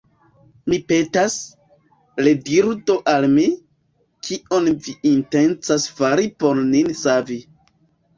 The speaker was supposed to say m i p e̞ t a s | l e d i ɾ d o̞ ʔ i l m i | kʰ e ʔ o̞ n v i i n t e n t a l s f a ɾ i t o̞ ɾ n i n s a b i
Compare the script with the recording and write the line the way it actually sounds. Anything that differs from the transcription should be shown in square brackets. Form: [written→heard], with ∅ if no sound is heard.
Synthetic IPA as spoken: m i p e̞ t a s | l e d i ɾ d o̞ ʔ [i→a] l m i | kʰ [e→i] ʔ o̞ n v i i n t e n [t→t͡s] a [l→∅] s f a ɾ i [t→p] o̞ ɾ n i n s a [b→v] i